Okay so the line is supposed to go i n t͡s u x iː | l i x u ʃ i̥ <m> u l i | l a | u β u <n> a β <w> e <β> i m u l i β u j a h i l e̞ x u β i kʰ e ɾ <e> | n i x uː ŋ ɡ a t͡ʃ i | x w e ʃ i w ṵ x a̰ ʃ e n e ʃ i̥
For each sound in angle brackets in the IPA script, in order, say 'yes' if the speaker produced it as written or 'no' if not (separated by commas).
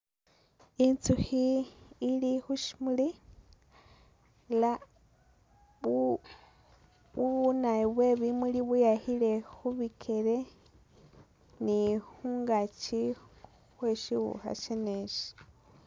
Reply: yes, yes, yes, yes, yes